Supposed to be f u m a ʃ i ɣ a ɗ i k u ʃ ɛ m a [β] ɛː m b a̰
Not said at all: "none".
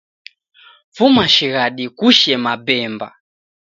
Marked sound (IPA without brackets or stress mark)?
b